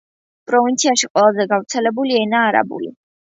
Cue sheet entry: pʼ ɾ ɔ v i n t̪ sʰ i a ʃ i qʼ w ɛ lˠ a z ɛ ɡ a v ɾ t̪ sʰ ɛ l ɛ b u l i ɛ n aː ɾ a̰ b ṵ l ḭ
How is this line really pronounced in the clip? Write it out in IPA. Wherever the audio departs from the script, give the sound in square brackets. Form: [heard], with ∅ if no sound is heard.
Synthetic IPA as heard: pʼ ɾ ɔ v i n t̪ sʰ i a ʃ i qʼ w ɛ lˠ a z ɛ ɡ a v ɾ t̪ sʰ ɛ l ɛ b u l i ɛ n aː ɾ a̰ b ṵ l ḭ